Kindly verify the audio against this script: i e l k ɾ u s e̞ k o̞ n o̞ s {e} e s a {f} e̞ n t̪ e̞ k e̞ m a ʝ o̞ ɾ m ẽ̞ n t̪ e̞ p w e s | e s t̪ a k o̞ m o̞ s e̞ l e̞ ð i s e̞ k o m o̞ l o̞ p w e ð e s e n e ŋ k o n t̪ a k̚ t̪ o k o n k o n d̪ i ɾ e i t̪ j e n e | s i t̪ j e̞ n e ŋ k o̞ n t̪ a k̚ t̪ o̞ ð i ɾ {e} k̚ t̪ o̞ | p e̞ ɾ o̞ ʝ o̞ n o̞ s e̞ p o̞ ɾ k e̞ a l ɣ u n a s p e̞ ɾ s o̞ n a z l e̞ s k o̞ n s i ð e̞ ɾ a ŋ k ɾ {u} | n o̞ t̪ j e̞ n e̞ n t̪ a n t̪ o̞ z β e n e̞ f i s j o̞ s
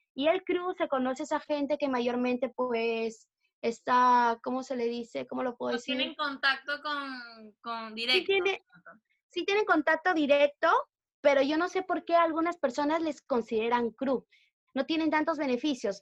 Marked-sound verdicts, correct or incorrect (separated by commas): correct, incorrect, correct, correct